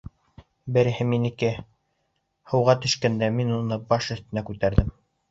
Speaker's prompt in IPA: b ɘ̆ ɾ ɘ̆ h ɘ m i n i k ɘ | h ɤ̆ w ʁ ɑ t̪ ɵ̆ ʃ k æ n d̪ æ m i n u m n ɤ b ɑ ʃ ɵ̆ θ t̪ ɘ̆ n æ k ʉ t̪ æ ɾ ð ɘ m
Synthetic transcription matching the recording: b ɘ̆ ɾ ɘ̆ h ɘ m i n i k ɘ | h ɤ̆ w ʁ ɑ t̪ ɵ̆ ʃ k æ n d̪ æ m i n u n ɤ b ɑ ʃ ɵ̆ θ t̪ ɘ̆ n æ k ʉ t̪ æ ɾ ð ɘ m